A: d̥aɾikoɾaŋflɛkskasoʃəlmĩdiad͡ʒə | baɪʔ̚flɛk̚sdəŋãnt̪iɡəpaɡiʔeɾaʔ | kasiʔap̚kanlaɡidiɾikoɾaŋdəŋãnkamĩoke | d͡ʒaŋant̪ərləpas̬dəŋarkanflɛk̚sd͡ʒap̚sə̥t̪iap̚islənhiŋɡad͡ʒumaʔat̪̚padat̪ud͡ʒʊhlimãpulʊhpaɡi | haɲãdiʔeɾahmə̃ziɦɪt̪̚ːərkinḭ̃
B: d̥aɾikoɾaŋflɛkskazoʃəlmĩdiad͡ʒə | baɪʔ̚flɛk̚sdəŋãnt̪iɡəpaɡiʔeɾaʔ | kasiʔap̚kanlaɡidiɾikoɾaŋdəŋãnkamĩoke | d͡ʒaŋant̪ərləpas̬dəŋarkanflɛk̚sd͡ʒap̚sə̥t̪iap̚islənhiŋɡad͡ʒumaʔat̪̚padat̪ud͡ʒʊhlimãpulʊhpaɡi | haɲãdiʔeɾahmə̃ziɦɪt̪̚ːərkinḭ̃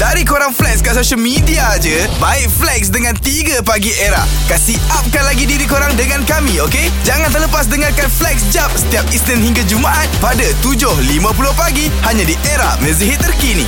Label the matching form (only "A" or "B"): A